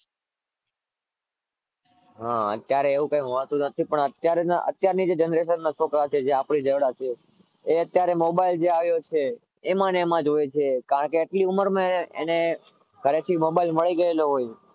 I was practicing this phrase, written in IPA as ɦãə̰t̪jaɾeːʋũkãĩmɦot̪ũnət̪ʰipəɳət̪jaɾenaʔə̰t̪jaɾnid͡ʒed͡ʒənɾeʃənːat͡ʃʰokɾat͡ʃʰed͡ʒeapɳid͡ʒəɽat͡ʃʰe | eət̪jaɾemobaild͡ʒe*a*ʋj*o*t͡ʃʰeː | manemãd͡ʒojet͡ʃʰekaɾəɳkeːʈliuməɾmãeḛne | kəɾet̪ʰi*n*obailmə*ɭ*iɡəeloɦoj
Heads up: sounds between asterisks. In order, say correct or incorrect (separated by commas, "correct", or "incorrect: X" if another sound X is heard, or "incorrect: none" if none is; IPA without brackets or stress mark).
correct, correct, incorrect: m, correct